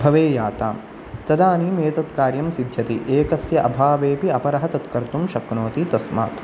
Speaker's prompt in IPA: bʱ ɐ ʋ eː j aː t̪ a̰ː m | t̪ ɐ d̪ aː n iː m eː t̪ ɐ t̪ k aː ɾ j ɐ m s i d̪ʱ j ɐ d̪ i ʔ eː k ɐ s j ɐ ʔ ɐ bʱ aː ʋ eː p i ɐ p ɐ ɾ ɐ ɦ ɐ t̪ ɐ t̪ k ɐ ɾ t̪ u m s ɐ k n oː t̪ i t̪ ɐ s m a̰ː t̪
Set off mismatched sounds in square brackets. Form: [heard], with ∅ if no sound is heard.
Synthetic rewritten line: bʱ ɐ ʋ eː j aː t̪ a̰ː m | t̪ ɐ d̪ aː n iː m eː t̪ ɐ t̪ k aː ɾ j ɐ m s i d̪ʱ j ɐ [t̪] i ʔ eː k ɐ s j ɐ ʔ ɐ bʱ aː ʋ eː p i ɐ p ɐ ɾ ɐ ɦ ɐ t̪ ɐ t̪ k ɐ ɾ t̪ u m [ʃ] ɐ k n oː t̪ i t̪ ɐ s m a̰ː t̪